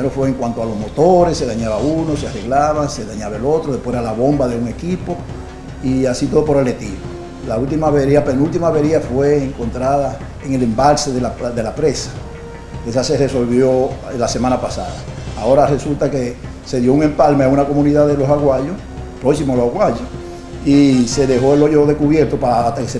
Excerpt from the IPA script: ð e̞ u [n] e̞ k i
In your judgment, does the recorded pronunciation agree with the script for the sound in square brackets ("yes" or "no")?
no